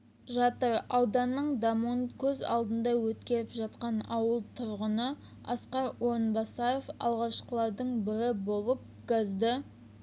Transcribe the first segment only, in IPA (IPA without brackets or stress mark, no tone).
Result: ʒ